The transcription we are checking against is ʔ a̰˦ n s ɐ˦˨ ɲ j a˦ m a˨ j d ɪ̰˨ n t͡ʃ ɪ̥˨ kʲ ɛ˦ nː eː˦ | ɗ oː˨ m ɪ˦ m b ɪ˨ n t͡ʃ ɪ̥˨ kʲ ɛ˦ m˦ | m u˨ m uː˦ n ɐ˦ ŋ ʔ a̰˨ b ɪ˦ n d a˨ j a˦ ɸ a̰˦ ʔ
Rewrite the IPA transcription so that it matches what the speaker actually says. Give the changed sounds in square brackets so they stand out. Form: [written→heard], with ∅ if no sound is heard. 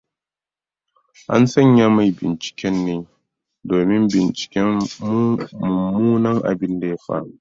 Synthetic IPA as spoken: ʔ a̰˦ n s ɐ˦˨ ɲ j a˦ m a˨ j [d→b] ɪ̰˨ n t͡ʃ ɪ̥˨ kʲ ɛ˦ nː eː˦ | [ɗ→d] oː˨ m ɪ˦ m b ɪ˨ n t͡ʃ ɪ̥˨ kʲ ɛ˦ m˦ | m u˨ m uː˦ n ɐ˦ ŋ ʔ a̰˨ b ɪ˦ n d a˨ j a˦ ɸ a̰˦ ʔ